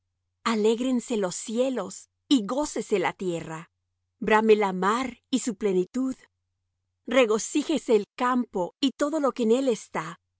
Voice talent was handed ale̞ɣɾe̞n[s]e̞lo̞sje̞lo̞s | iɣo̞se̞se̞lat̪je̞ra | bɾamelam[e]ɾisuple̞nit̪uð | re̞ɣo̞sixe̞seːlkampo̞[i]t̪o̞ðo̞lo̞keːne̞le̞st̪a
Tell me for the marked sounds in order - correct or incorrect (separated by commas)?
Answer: correct, incorrect, correct